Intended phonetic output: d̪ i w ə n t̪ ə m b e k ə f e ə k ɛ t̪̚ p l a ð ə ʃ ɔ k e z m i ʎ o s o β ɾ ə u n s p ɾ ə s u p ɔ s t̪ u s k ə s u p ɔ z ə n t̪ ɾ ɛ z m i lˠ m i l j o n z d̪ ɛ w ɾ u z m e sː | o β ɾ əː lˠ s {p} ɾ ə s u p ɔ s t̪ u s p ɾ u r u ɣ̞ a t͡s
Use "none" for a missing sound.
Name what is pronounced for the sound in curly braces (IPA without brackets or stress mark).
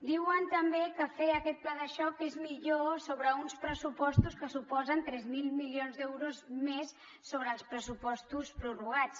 p